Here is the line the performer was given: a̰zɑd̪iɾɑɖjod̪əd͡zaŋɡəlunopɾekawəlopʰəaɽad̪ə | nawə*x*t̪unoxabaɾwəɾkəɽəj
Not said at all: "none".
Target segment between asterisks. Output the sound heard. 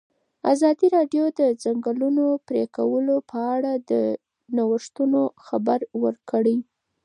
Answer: ʂ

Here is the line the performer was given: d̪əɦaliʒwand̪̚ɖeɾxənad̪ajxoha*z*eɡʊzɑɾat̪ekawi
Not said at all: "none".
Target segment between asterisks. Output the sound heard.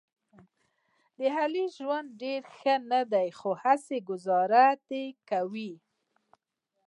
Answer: s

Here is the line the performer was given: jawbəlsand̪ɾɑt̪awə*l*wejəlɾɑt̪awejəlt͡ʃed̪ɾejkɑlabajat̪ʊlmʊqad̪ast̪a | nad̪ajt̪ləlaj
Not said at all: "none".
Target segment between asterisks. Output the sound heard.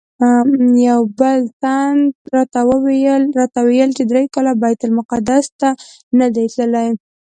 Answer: none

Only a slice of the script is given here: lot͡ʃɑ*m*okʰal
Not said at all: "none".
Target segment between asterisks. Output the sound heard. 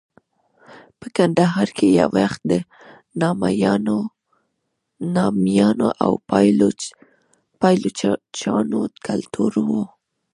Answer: n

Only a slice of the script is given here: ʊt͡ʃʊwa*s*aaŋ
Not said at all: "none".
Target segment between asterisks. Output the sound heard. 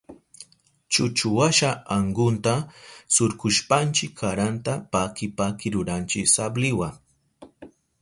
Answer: ʃ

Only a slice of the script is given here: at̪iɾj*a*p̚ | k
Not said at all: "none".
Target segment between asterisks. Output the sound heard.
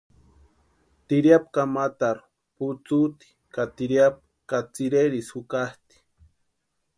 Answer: a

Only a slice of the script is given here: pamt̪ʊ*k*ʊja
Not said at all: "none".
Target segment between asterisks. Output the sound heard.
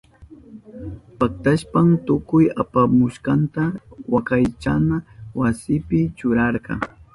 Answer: k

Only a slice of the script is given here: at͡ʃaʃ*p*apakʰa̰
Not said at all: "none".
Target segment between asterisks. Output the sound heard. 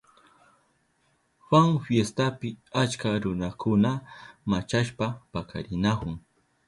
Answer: p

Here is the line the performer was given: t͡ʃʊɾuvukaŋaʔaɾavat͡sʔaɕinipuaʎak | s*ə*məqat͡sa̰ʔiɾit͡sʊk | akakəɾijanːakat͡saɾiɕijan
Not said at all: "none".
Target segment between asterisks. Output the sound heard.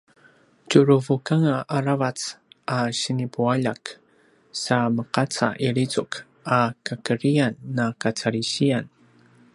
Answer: a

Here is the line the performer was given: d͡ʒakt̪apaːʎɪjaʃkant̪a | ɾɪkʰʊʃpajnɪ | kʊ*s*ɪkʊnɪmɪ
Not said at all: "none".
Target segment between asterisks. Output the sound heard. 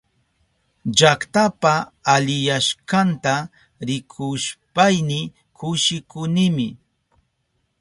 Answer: ʃ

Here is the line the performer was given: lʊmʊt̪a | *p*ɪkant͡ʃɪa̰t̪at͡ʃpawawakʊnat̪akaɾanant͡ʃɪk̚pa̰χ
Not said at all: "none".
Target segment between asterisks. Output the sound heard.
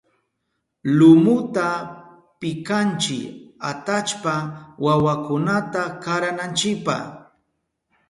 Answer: p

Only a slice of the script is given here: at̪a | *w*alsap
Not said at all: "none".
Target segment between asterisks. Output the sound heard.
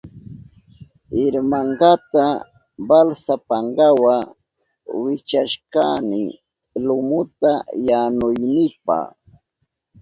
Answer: b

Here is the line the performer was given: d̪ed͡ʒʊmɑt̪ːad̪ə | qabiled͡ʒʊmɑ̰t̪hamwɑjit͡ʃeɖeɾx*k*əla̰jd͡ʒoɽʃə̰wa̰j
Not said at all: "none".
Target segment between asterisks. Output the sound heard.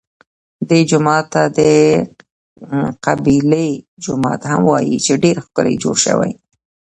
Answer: k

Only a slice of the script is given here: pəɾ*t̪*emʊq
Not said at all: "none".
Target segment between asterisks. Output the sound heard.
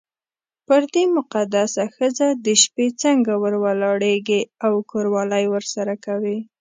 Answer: d̪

